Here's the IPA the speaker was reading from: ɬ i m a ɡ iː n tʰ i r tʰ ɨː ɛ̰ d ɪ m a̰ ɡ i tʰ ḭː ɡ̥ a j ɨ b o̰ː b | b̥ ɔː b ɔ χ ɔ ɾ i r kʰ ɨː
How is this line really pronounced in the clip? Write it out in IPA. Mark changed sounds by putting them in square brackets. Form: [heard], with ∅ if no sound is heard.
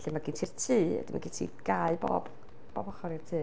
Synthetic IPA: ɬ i m a ɡ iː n tʰ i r tʰ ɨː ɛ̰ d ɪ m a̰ ɡ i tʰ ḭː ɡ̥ a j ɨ b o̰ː b | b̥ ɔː b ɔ χ ɔ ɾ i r [tʰ] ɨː